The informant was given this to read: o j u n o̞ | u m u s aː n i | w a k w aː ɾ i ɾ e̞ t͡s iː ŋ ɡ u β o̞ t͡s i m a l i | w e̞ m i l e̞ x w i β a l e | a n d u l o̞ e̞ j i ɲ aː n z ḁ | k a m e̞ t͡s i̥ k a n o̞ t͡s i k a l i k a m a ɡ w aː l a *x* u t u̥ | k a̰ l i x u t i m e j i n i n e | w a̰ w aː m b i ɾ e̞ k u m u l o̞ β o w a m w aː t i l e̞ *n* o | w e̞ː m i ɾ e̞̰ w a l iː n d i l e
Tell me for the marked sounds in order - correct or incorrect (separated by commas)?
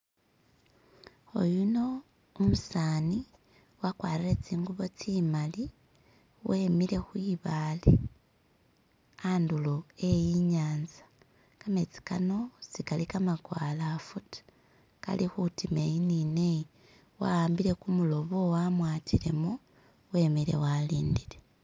incorrect, incorrect